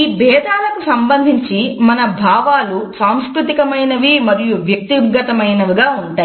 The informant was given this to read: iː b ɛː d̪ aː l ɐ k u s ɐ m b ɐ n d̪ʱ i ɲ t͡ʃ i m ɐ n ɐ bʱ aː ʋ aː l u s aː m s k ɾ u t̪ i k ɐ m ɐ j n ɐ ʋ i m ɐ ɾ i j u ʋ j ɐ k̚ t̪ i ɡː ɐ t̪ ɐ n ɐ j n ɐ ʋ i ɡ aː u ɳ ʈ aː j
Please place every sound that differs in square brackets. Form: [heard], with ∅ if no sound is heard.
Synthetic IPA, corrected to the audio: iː b ɛː d̪ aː l ɐ k u s ɐ m b ɐ n d̪ʱ i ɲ t͡ʃ i m ɐ n ɐ bʱ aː ʋ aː l u s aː m s k ɾ u t̪ i k ɐ m ɐ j n ɐ ʋ i m ɐ ɾ i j u ʋ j ɐ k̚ t̪ i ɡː ɐ t̪ ɐ [m] ɐ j n ɐ ʋ i ɡ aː u ɳ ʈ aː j